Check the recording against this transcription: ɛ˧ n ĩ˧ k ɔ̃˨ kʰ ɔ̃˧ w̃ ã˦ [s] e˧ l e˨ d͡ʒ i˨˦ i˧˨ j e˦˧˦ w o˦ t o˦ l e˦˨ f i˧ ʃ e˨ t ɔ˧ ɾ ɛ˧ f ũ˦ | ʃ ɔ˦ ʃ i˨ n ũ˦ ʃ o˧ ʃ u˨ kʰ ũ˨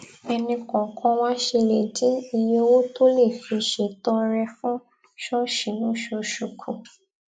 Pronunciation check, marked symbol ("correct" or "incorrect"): incorrect